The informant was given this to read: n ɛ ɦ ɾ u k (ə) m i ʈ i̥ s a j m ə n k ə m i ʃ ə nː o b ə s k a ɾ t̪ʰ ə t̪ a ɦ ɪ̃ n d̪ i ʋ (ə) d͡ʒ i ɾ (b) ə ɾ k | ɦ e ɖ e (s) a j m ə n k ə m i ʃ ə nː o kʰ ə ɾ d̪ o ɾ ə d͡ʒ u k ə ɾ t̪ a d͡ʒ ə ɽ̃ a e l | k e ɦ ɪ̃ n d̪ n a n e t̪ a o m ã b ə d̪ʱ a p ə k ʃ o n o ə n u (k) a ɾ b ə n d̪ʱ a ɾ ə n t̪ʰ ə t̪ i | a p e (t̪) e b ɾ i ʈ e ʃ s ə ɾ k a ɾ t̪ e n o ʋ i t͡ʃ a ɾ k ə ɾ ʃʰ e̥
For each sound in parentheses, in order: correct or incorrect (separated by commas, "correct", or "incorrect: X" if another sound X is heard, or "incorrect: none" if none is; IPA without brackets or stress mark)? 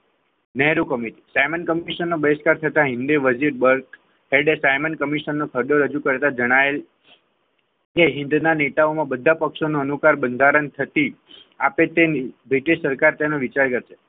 correct, correct, correct, correct, correct, correct